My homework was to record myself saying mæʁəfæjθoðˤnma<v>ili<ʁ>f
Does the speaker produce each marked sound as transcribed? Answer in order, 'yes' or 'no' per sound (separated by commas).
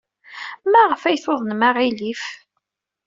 no, no